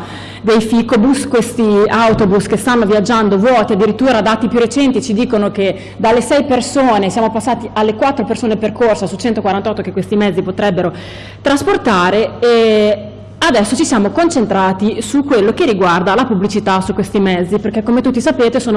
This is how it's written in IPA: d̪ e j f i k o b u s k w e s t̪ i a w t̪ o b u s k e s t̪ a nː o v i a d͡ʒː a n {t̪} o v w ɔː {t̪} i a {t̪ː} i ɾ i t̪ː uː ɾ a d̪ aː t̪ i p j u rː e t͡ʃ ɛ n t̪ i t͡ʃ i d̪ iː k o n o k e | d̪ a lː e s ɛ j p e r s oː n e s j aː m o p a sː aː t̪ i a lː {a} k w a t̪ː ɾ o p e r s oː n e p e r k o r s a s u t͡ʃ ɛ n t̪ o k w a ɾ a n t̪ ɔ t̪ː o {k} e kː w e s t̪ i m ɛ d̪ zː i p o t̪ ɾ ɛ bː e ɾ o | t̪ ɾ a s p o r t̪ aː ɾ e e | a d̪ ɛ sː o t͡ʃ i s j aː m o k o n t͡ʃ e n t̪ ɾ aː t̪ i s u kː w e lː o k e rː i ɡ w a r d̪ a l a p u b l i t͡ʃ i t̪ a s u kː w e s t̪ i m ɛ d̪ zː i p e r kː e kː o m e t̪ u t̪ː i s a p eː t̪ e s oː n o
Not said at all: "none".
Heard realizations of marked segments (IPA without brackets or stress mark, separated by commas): d̪, t̪, d̪ː, e, k